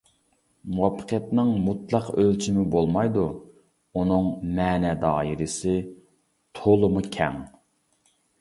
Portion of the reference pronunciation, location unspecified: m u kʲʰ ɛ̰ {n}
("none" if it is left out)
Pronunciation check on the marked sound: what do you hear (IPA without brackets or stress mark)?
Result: ŋ